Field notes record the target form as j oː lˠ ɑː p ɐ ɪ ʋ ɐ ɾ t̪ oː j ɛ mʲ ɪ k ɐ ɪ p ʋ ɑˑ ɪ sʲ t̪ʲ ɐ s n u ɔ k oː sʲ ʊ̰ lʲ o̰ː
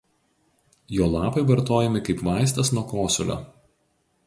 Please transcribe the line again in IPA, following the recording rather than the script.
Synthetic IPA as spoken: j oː lˠ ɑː p ɐ ɪ ʋ ɐ ɾ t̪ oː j ɛ mʲ ɪ k ɐ ɪ p ʋ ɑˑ ɪ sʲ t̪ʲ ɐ s n u ɔ k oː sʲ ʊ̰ lʲ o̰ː